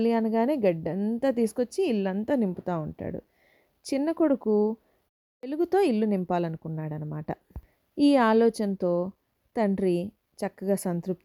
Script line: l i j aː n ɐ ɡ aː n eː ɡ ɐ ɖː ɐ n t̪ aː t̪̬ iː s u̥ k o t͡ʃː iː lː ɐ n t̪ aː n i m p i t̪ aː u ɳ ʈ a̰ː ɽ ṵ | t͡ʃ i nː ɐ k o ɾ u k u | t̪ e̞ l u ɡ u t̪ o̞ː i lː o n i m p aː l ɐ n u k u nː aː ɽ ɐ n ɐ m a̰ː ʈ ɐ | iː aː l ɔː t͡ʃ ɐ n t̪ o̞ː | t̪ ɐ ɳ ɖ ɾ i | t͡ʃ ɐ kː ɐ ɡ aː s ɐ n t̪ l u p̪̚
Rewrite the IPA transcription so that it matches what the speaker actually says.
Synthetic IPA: l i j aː n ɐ ɡ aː n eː ɡ ɐ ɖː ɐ n t̪ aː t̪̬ iː s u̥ k o t͡ʃː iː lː ɐ n t̪ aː n i m p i t̪ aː u ɳ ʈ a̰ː ɽ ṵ | t͡ʃ i nː ɐ k o ɽ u k u | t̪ e̞ l u ɡ u t̪ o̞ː i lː u n i m p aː l ɐ n u k u nː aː ɽ ɐ n ɐ m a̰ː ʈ ɐ | iː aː l ɔː t͡ʃ ɐ n t̪ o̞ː | t̪ ɐ ɳ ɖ ɾ i | t͡ʃ ɐ kː ɐ ɡ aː s ɐ n t̪ ɾ u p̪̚